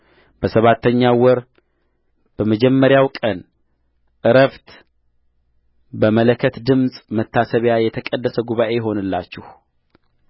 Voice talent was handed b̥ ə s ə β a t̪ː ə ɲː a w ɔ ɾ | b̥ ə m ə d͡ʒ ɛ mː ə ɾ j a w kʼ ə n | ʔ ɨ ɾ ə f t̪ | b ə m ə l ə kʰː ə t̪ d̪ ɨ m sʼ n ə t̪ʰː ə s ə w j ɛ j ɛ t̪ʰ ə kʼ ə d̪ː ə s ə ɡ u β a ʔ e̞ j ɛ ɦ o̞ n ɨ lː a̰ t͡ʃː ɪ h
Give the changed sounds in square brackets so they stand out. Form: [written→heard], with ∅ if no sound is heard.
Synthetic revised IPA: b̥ ə s ə β a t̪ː ə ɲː a w ɔ ɾ | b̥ ə m ə d͡ʒ ɛ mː ə ɾ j a w kʼ ə n | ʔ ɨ ɾ ə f t̪ | b ə m ə l ə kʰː ə t̪ d̪ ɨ m sʼ [n→m] ə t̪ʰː [ə→a] s ə [w→β] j [ɛ→a] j ɛ t̪ʰ ə kʼ ə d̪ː ə s ə ɡ u β a ʔ e̞ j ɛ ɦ o̞ n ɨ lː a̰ t͡ʃː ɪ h